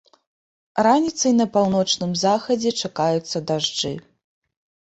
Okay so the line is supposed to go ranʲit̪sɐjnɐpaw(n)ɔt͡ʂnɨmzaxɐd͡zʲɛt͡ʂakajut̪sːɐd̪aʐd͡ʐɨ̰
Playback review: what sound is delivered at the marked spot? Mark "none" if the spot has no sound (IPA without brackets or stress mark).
n